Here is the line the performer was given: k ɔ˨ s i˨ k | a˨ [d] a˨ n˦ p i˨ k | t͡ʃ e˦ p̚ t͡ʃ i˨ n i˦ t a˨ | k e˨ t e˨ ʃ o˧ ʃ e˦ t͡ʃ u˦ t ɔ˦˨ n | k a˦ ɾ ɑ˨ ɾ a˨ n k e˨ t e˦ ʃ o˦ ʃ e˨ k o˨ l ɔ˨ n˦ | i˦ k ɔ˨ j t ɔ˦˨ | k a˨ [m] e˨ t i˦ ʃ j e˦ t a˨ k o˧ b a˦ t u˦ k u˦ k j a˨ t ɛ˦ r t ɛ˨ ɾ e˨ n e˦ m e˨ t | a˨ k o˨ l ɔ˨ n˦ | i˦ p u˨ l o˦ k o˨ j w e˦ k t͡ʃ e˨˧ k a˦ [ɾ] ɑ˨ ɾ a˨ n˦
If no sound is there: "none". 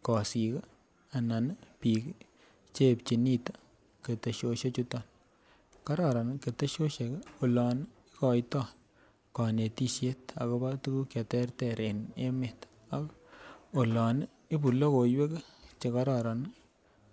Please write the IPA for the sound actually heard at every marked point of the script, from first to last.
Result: n, n, ɾ

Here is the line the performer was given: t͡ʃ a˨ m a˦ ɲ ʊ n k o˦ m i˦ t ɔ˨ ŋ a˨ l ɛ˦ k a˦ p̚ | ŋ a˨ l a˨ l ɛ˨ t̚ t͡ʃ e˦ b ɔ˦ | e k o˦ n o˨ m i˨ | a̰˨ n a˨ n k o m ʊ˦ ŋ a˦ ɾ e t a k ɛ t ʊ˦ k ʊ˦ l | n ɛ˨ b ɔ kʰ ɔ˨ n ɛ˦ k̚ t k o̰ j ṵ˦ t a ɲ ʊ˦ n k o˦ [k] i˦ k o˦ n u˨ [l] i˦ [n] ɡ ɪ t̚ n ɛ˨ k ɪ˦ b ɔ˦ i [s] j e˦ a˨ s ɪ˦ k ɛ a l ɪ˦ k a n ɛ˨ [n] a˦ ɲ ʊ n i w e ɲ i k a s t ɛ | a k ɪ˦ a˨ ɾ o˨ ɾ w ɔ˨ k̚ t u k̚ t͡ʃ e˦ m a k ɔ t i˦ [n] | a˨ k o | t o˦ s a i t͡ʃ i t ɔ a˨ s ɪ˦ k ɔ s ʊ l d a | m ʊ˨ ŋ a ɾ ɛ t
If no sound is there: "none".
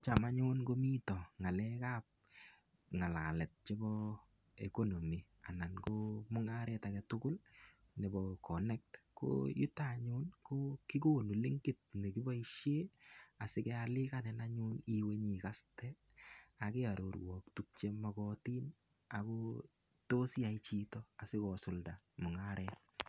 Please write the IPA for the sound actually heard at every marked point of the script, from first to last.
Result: k, l, ŋ, ʃ, n, n

